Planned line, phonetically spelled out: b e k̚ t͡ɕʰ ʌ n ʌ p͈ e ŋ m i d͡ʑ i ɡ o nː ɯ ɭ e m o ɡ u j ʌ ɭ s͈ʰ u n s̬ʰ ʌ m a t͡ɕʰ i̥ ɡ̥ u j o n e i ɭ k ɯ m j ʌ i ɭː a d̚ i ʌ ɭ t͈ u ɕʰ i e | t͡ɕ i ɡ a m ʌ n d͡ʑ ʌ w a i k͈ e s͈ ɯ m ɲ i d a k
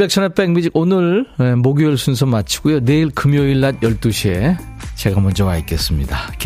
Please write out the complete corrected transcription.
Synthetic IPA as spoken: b e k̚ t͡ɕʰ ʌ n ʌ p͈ e ŋ m i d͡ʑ i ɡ o n ɯ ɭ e m o ɡ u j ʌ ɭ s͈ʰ u n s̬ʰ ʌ m a t͡ɕʰ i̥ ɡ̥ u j o n e i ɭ k ɯ m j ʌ i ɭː a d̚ j ʌ ɭ t͈ u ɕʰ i e | t͡ɕ e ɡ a m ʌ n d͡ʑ ʌ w a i k͈ e s͈ ɯ m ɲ i d a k